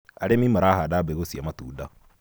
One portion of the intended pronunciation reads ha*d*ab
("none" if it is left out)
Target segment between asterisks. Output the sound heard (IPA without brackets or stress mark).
d